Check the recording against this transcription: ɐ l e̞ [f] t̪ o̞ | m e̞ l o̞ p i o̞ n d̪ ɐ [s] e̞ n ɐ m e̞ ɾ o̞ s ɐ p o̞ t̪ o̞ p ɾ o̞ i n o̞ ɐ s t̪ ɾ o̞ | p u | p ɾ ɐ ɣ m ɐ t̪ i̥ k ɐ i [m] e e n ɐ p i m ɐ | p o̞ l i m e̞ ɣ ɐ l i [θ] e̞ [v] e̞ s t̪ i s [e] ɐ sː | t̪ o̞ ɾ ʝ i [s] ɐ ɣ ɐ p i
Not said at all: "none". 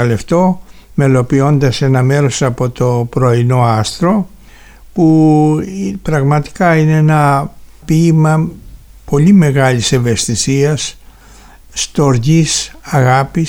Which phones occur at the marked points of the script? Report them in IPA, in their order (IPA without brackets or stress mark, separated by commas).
f, s, n, s, v, i, s